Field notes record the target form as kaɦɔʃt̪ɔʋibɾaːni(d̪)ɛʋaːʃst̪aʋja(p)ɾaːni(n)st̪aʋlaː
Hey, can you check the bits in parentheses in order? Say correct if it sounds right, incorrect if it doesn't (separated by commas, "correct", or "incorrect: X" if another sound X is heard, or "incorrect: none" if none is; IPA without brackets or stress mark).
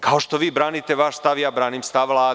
incorrect: t̪, incorrect: b, incorrect: m